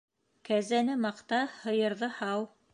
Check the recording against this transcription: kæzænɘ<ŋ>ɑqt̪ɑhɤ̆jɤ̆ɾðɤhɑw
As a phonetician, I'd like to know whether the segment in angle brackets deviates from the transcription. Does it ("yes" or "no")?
yes